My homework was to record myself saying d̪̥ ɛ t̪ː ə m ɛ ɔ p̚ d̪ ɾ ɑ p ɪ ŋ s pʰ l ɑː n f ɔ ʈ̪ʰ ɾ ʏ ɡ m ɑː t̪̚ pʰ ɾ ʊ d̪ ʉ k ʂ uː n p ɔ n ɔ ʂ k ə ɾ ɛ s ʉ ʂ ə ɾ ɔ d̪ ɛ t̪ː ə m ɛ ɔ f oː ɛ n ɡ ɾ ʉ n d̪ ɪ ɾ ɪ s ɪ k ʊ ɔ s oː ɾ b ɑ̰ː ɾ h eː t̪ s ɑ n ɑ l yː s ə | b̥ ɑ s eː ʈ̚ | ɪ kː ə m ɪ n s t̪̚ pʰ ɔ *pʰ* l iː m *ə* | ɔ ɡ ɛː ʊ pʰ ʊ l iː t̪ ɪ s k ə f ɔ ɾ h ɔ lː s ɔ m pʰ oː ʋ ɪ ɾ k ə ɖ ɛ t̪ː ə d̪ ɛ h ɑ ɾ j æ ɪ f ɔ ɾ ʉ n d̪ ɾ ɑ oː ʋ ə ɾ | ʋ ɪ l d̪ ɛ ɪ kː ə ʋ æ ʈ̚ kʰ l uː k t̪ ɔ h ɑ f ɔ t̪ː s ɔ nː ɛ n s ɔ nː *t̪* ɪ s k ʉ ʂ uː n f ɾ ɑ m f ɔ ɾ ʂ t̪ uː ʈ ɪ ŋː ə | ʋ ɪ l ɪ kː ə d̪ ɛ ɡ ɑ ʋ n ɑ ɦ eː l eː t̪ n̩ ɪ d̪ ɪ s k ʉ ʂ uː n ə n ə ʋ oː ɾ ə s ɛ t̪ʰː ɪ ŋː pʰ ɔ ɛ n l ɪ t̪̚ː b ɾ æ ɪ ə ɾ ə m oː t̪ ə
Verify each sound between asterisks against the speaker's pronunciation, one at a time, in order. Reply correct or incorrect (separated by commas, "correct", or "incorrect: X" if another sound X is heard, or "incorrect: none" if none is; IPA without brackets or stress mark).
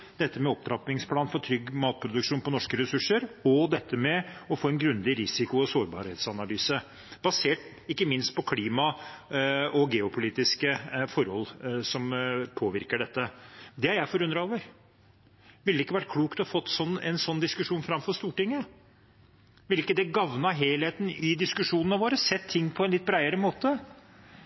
incorrect: kʰ, incorrect: ɑ, incorrect: d̪